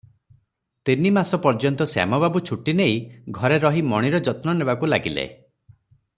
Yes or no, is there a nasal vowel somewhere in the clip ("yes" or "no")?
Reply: no